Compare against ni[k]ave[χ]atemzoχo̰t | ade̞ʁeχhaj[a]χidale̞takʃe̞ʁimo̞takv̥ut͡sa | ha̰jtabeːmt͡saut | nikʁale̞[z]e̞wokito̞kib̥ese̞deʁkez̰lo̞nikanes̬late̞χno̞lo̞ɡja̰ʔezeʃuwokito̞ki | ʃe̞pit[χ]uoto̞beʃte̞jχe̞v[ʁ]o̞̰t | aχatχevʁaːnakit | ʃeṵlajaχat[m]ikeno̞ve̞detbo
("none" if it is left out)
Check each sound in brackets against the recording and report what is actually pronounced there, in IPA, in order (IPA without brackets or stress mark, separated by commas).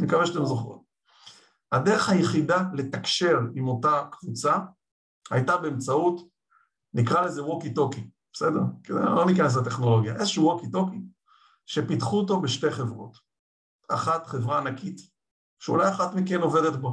k, ʃ, e, z, χ, ʁ, m